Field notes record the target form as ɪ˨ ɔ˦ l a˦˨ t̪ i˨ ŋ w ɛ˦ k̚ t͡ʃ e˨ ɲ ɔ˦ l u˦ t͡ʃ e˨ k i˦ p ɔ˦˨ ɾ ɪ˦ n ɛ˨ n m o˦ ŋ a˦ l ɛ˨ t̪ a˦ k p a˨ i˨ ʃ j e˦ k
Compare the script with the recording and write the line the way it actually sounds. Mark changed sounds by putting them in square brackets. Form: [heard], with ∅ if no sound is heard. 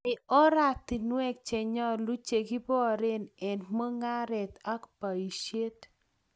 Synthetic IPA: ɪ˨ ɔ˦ [ɾ] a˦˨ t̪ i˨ [n] w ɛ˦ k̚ t͡ʃ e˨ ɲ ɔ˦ l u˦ t͡ʃ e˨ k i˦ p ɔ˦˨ ɾ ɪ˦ n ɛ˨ n m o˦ ŋ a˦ [ɾ] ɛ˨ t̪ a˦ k p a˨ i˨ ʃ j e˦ [t]